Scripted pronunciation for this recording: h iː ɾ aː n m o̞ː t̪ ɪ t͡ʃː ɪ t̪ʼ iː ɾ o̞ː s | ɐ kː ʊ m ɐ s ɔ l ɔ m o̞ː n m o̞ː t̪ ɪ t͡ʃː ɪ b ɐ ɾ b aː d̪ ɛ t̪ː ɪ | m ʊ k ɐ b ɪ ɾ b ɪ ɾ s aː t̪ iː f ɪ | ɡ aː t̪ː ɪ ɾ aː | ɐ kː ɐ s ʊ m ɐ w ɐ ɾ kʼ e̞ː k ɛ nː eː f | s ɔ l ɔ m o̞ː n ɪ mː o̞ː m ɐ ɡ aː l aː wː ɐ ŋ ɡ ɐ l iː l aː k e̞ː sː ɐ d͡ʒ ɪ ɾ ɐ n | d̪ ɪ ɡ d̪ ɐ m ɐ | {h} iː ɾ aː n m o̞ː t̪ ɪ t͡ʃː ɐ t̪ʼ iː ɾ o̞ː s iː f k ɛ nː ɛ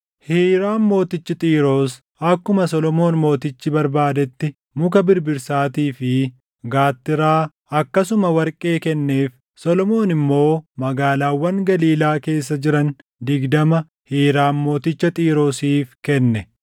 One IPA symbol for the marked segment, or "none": h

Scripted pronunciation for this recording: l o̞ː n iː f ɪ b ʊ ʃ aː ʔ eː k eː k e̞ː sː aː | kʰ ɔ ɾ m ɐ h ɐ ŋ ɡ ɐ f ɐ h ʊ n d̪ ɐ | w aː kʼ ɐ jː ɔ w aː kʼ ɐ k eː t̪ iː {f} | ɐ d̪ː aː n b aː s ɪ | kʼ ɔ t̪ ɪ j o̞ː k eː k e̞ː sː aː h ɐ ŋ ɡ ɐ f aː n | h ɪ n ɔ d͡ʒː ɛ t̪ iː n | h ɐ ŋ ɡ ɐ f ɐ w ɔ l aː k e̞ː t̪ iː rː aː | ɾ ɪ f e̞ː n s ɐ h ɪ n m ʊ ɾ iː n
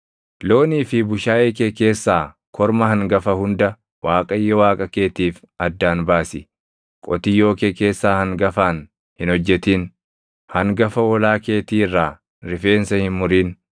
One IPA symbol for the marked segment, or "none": f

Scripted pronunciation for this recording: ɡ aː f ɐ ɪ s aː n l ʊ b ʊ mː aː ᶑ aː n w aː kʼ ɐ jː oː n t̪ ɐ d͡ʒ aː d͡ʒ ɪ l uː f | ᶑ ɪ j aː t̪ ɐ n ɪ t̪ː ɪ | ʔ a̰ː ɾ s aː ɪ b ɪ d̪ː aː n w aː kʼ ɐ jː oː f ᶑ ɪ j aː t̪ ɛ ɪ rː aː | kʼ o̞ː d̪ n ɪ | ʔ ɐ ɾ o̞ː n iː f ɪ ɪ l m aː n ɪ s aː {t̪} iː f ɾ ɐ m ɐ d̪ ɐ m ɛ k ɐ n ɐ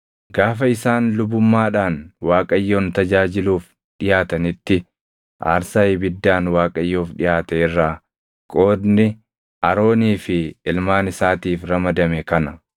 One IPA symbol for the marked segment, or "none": t̪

